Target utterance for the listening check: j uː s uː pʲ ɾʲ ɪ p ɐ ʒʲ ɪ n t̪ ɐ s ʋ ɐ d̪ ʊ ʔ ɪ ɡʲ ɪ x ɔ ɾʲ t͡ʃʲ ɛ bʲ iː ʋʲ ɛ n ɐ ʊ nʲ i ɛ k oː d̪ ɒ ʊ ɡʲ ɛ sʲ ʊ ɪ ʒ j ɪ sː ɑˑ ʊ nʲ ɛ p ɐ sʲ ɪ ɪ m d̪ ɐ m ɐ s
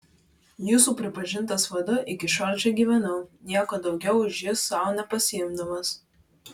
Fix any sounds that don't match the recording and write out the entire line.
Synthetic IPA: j uː s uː pʲ ɾʲ ɪ p ɐ ʒʲ ɪ n t̪ ɐ s ʋ ɐ d̪ ʊ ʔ ɪ kʲ ɪ ʃ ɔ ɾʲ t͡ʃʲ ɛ ɡʲ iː ʋʲ ɛ n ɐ ʊ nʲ i ɛ k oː d̪ ɒ ʊ ɡʲ ɛ ʊ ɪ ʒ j ɪ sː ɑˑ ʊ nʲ ɛ p ɐ sʲ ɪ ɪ m d̪ ɐ m ɐ s